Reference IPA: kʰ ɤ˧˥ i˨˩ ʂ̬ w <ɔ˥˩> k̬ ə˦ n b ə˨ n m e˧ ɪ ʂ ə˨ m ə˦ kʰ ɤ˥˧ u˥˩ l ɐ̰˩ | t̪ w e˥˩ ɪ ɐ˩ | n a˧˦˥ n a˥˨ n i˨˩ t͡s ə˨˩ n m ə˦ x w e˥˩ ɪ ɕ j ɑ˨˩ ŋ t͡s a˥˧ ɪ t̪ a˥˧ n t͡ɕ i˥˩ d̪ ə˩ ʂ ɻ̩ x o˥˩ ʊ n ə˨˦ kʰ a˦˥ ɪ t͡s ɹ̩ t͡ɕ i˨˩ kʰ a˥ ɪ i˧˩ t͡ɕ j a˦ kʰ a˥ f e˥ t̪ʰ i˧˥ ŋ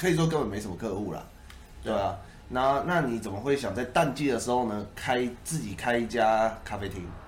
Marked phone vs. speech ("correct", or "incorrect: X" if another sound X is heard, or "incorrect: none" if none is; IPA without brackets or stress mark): incorrect: ɔ˥